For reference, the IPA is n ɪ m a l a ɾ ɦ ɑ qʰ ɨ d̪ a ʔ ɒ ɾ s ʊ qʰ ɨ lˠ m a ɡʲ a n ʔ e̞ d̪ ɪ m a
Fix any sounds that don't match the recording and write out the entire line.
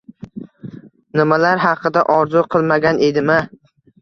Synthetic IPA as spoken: n ɪ m a l a ɾ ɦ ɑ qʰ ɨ d̪ a ʔ ɒ ɾ z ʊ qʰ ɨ lˠ m a ɡʲ a n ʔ e̞ d̪ ɪ m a